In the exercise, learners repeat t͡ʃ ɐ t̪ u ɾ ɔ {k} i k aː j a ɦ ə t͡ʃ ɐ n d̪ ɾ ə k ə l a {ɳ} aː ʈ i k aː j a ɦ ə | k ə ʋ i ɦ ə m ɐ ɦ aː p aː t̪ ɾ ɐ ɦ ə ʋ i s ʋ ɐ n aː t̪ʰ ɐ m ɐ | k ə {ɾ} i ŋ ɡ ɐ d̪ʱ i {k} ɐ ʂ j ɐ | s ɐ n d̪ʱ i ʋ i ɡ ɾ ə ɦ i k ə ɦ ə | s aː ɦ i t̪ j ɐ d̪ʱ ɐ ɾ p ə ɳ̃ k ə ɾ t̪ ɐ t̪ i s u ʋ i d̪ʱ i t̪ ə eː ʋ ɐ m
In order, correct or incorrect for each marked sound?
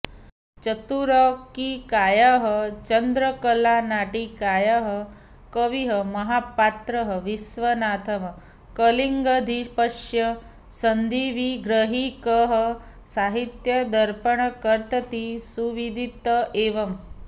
correct, incorrect: n, incorrect: l, incorrect: p

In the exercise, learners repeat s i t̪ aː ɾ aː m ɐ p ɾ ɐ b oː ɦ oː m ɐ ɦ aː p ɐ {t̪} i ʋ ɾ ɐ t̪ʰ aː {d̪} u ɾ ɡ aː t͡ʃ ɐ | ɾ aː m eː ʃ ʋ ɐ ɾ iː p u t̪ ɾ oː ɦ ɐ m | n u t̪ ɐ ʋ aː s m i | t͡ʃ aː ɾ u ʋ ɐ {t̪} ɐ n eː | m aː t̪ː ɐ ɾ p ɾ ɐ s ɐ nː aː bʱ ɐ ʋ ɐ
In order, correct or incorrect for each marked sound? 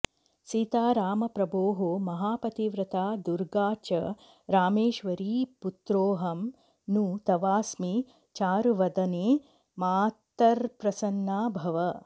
correct, correct, incorrect: d̪

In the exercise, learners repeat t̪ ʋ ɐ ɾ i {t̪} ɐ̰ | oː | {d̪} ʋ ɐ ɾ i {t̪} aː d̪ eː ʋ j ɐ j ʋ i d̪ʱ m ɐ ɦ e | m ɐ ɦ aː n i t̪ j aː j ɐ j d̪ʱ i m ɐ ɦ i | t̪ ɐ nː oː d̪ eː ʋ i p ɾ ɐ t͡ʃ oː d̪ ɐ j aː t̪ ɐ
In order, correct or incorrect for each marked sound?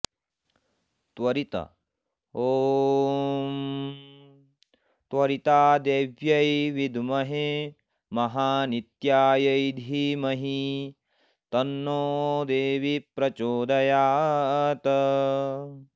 correct, incorrect: t̪, correct

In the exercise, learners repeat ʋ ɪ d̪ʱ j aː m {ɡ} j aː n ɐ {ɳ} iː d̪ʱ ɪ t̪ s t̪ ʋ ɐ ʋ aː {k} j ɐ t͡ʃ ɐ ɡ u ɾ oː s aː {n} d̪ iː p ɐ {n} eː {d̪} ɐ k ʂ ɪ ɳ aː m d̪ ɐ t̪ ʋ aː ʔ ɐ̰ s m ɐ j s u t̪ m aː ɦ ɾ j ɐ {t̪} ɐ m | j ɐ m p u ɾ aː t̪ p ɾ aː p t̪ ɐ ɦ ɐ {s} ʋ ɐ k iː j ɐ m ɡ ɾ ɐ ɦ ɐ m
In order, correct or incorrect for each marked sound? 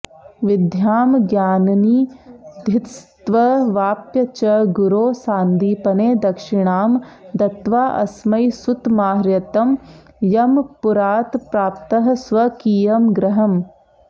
correct, incorrect: n, incorrect: p, correct, correct, correct, correct, correct

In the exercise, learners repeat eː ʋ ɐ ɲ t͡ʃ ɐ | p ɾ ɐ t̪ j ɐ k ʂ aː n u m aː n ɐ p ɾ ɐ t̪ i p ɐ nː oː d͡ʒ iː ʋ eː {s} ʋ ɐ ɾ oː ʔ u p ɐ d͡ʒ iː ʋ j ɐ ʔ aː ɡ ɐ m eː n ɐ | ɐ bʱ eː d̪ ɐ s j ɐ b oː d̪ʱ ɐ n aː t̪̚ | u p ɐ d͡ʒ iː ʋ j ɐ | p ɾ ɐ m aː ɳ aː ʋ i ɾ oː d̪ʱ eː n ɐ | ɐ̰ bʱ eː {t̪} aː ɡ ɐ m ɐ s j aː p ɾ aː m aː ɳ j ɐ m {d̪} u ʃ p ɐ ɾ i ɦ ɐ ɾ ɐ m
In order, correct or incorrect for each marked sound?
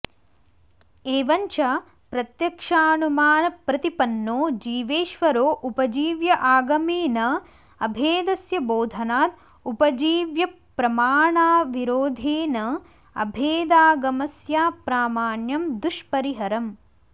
incorrect: ʃ, incorrect: d̪, correct

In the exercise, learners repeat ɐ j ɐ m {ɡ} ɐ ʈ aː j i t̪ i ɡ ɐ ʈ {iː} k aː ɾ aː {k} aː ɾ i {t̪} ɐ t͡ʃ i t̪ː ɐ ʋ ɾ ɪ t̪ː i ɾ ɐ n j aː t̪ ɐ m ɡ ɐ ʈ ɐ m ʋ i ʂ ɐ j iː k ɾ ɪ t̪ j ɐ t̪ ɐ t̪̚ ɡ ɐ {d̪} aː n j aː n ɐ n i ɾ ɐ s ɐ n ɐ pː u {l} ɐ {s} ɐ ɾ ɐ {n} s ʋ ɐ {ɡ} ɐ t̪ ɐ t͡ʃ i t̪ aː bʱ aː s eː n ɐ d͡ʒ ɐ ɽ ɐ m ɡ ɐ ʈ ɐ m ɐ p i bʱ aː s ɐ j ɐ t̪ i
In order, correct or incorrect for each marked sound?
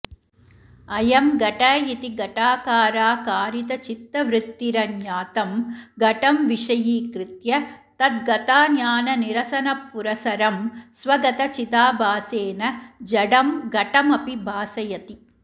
correct, incorrect: aː, correct, correct, incorrect: t̪, incorrect: ɾ, correct, incorrect: m, correct

